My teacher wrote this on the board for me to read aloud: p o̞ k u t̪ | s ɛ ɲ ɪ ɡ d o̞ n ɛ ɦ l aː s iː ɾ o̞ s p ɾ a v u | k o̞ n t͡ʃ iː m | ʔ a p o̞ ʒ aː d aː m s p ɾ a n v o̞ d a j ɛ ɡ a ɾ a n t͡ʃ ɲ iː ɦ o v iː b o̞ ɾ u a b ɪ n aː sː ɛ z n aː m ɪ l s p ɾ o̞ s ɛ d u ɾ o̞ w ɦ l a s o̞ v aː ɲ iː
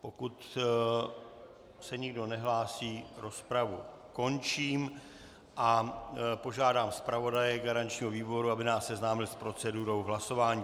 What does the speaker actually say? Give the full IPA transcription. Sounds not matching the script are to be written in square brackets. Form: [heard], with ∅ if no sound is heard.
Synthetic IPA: p o̞ k u t̪ | s ɛ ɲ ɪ ɡ d o̞ n ɛ ɦ l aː s iː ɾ o̞ s p ɾ a v u | k o̞ n t͡ʃ iː m | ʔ a p o̞ ʒ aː d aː m s p ɾ a [∅] v o̞ d a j ɛ ɡ a ɾ a n t͡ʃ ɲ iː ɦ o v iː b o̞ ɾ u a b ɪ n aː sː ɛ z n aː m ɪ l s p ɾ o̞ [t͡s] ɛ d u ɾ o̞ w ɦ l a s o̞ v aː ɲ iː